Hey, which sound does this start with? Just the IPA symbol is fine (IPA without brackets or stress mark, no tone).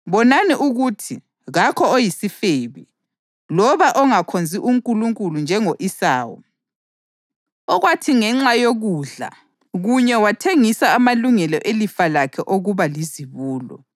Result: β